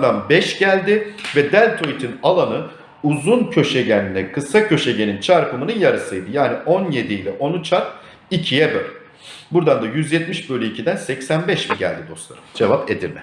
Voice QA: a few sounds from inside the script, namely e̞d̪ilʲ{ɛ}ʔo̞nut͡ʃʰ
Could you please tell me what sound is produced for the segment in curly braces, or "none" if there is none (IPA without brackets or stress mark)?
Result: ɛ